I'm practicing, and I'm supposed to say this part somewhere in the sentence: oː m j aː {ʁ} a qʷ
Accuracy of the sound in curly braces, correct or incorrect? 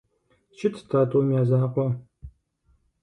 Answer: incorrect: z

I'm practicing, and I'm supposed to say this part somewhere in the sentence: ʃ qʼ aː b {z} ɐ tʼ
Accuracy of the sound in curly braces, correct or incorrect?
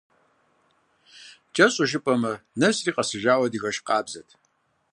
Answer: correct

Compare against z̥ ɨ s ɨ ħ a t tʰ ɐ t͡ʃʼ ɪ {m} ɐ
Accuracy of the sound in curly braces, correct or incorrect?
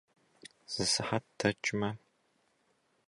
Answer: correct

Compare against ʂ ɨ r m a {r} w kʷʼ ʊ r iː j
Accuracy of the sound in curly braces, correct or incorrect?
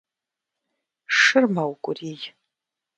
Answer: incorrect: none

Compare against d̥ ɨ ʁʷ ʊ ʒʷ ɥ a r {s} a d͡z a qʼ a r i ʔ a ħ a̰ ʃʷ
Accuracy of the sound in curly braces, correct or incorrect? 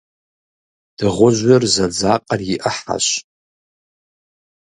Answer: incorrect: z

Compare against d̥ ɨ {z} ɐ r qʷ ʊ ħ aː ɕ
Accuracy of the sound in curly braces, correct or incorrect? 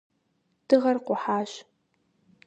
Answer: incorrect: ʁ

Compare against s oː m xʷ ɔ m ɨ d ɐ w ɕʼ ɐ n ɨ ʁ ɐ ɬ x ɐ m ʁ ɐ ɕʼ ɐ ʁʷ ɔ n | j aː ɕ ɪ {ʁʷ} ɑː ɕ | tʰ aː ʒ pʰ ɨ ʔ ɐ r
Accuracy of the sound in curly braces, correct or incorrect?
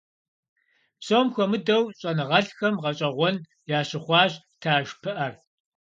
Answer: incorrect: χʷ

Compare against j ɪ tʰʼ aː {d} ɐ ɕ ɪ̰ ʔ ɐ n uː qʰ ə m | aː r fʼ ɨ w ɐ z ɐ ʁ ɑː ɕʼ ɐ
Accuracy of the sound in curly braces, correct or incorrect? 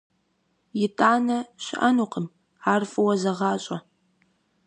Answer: incorrect: n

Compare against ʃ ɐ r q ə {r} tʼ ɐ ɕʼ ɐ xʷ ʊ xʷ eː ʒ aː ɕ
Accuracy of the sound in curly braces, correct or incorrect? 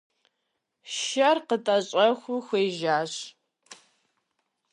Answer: incorrect: none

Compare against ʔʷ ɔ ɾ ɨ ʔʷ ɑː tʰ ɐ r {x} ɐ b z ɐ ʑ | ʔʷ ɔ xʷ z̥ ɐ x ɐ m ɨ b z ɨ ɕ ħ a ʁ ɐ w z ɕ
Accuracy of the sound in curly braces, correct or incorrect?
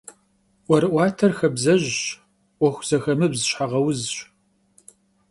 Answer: correct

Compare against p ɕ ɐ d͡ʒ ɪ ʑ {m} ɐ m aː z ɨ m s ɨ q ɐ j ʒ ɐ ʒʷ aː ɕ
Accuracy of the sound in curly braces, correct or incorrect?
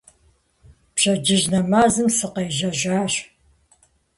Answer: incorrect: n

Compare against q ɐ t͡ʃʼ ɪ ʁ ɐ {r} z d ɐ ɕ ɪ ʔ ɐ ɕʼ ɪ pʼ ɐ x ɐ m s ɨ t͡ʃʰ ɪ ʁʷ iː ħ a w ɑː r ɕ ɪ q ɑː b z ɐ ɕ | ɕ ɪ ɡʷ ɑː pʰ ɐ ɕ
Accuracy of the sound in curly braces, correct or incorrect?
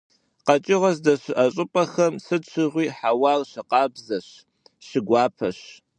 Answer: incorrect: none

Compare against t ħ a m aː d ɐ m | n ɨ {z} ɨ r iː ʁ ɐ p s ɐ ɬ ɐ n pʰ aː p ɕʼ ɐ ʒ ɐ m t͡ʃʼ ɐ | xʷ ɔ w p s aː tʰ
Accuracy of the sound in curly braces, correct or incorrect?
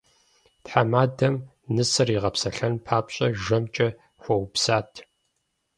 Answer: incorrect: s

